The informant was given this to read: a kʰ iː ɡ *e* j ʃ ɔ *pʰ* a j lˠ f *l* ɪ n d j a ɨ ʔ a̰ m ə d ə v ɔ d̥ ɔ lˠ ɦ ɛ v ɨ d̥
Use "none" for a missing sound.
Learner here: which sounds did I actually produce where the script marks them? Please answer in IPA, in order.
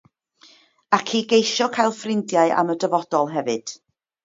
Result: e, kʰ, r

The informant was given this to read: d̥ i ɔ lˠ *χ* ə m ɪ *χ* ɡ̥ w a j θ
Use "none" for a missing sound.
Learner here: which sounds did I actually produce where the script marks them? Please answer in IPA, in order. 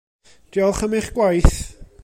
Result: χ, χ

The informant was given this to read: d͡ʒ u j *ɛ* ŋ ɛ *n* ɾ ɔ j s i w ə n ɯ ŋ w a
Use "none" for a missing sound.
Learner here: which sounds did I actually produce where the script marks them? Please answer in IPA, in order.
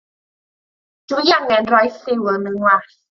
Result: a, n

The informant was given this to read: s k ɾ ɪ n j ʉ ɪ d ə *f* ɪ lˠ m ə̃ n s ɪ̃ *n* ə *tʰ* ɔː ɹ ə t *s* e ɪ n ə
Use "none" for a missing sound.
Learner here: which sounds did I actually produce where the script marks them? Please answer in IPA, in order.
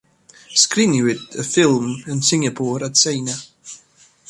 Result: f, ŋ, pʰ, s

